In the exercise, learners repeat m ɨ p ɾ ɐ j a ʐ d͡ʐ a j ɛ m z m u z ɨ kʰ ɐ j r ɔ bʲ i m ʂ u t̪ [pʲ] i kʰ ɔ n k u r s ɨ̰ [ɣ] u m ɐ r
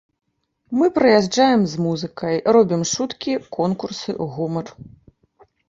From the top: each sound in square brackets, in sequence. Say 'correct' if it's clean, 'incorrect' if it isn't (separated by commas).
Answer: incorrect, correct